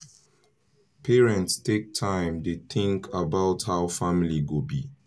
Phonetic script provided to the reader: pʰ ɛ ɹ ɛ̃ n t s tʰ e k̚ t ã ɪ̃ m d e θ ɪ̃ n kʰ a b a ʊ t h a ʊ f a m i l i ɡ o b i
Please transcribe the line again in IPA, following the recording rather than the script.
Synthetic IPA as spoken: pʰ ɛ ɹ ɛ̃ n t s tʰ e k̚ tʰ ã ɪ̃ m d e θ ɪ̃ ŋ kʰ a b a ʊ t h a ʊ f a m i l i ɡ o b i